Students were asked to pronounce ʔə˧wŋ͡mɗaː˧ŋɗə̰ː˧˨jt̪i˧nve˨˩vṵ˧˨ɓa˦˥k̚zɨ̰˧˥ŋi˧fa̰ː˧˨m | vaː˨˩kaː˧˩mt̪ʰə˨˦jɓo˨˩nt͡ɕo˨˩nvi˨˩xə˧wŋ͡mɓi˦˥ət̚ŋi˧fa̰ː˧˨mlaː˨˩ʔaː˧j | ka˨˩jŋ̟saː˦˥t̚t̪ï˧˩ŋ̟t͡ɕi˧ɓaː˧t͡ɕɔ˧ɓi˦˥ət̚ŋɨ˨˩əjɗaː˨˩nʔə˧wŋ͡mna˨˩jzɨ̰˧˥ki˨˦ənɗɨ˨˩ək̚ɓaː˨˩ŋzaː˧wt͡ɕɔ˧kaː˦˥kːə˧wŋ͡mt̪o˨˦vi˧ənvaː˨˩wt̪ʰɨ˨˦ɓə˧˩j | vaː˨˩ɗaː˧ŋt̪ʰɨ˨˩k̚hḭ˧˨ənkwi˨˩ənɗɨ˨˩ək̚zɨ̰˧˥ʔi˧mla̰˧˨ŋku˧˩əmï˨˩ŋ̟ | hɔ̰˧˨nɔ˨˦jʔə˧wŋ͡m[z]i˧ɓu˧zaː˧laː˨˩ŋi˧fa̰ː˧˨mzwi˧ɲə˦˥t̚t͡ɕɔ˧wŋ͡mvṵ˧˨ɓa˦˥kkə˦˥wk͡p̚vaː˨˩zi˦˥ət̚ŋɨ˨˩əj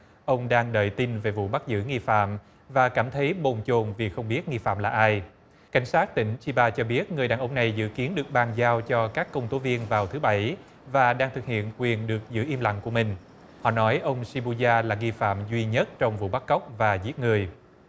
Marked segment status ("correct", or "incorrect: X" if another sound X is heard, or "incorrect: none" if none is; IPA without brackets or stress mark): incorrect: s